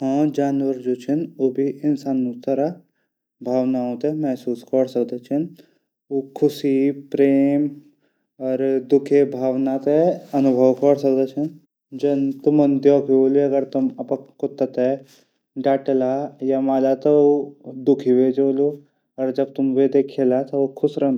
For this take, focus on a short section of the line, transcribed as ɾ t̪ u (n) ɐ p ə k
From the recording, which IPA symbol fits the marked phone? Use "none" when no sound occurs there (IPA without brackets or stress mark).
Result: m